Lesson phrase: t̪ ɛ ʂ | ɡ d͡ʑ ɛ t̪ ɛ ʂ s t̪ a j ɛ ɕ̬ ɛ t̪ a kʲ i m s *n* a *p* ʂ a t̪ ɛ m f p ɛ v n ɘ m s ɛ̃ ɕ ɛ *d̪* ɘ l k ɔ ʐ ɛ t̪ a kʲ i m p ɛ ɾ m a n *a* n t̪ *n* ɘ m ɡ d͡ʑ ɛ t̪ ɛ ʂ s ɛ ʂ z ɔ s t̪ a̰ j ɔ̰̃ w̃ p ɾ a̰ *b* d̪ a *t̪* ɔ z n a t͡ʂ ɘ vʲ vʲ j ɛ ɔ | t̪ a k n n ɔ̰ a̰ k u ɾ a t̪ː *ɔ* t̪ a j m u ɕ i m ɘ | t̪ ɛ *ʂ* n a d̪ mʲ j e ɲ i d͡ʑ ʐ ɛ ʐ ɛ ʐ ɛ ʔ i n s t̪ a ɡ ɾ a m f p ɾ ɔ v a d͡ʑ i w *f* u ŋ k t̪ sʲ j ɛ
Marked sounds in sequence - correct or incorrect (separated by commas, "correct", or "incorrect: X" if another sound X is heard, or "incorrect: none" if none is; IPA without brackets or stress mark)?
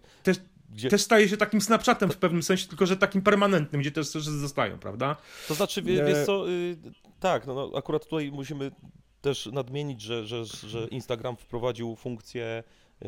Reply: correct, correct, incorrect: t̪, incorrect: ɛ, correct, incorrect: v, correct, incorrect: u, correct, correct